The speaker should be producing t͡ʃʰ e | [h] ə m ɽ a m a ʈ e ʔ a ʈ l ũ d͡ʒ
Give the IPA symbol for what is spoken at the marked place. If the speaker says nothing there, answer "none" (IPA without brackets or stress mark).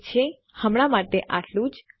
h